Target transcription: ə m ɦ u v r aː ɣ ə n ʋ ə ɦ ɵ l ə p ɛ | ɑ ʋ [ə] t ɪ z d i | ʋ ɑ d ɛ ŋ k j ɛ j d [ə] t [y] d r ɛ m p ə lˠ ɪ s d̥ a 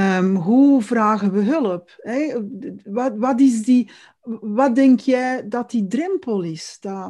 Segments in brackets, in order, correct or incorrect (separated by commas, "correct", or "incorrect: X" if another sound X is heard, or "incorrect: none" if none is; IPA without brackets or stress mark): incorrect: ɑ, incorrect: ɑ, incorrect: i